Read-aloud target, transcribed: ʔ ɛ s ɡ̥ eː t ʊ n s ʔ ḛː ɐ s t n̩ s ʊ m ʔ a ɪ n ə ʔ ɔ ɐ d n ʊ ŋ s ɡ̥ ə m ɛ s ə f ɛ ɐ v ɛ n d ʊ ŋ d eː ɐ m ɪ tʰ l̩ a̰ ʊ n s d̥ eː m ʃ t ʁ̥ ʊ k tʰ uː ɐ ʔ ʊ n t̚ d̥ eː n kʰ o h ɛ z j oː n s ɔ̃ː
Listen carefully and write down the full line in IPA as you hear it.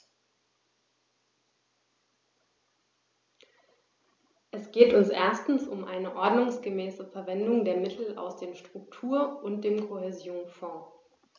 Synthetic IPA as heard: ʔ ɛ s ɡ̥ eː t ʊ n s ʔ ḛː ɐ s t n̩ s ʊ m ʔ a ɪ n ə ʔ ɔ ɐ d n ʊ ŋ s ɡ̥ ə m ɛː s ə f ɛ ɐ v ɛ n d ʊ ŋ d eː ɐ m ɪ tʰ l̩ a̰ ʊ s d̥ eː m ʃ t ʁ̥ ʊ k tʰ uː ɐ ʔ ʊ n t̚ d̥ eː m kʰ o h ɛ z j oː n f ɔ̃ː